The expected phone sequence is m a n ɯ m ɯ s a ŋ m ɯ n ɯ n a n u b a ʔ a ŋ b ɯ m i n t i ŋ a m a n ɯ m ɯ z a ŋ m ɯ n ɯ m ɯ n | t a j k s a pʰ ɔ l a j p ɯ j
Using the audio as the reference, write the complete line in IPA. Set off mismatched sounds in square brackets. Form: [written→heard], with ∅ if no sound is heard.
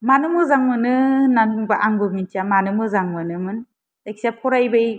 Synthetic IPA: m a n ɯ m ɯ [s→z] a ŋ m ɯ n ɯ n a n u b a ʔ a ŋ b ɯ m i n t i [ŋ→∅] a m a n ɯ m ɯ z a ŋ m ɯ n ɯ m ɯ n | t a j k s a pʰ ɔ [l→ɾ] a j [p→b] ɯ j